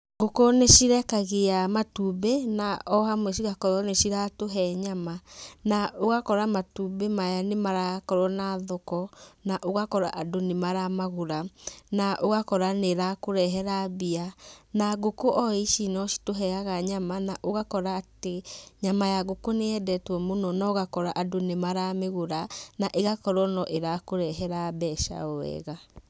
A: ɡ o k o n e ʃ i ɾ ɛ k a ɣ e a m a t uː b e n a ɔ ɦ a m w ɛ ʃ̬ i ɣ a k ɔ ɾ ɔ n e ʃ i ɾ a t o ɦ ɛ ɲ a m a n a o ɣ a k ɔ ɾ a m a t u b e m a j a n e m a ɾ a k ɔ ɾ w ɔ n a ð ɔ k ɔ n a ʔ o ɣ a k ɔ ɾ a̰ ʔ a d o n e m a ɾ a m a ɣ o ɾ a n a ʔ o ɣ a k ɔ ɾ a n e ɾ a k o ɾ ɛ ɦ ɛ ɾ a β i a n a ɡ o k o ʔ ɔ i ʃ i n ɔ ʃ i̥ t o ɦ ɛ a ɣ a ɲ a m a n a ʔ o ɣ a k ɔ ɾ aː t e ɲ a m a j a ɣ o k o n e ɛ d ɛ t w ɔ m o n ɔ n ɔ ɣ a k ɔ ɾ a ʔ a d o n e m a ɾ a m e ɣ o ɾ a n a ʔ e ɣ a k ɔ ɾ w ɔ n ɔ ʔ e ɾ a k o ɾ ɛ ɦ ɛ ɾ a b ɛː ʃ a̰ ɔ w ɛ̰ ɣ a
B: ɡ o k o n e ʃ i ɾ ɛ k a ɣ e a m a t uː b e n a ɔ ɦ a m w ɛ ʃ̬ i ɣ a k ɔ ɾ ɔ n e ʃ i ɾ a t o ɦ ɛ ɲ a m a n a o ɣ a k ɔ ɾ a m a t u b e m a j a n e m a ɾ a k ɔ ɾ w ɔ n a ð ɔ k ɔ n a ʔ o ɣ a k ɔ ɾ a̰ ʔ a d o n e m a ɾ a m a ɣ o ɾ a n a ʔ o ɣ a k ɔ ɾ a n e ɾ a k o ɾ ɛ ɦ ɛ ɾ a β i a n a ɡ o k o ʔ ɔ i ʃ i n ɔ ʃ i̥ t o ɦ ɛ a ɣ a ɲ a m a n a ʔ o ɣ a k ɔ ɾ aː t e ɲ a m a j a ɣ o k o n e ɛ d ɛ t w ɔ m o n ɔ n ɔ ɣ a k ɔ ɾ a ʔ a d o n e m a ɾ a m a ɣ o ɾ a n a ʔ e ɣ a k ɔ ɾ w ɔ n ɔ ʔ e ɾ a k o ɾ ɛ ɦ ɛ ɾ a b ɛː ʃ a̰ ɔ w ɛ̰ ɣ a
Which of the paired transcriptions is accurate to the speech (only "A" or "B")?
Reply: A